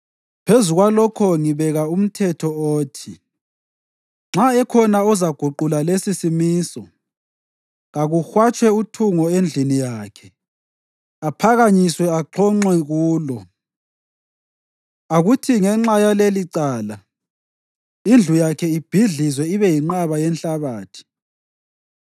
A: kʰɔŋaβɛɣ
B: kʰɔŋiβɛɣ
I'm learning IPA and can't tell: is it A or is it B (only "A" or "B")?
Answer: B